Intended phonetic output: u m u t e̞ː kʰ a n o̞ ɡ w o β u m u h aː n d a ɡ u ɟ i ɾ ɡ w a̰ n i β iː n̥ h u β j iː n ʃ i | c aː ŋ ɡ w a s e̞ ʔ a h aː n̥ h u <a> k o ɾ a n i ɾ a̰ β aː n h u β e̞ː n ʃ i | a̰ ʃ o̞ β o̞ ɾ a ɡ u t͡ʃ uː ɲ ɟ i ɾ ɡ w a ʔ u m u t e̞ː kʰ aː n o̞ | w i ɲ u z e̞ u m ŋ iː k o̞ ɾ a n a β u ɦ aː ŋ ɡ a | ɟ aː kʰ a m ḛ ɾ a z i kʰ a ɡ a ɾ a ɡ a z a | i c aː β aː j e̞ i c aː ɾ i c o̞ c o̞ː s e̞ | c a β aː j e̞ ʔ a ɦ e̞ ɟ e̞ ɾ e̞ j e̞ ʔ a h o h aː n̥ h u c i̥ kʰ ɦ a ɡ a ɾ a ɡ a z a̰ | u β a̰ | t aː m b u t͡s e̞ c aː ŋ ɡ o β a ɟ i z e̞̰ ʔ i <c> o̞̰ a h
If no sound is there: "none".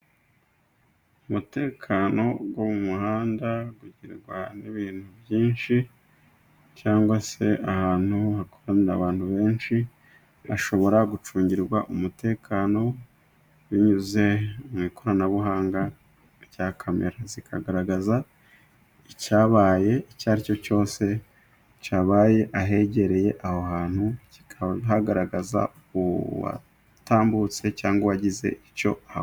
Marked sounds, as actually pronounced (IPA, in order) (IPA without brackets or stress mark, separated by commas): a, c